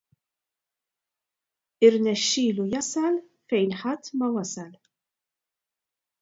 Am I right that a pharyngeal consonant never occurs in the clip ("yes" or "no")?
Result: no